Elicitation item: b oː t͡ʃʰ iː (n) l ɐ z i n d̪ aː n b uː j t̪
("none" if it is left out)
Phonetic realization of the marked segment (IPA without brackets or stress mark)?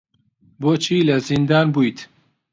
none